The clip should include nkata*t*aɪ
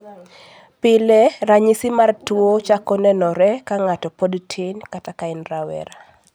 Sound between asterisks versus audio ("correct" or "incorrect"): incorrect